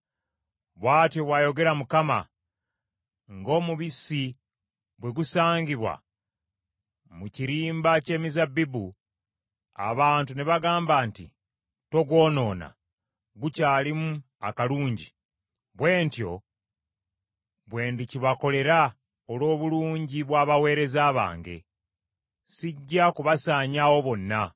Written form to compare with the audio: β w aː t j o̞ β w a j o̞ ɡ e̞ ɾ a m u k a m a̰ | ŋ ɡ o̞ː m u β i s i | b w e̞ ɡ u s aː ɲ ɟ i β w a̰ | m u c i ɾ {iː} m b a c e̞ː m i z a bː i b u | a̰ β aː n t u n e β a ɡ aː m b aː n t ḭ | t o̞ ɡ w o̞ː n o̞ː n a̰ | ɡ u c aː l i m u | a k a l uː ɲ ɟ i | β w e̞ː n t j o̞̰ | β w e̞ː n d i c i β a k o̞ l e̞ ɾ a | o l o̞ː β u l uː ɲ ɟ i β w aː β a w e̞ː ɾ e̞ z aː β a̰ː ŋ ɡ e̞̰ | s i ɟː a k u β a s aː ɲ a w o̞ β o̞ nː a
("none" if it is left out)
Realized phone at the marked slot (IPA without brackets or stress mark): iː